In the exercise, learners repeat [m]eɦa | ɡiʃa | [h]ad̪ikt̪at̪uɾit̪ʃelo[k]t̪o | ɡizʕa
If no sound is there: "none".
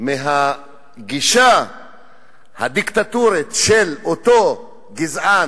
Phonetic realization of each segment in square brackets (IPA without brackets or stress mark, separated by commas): m, h, none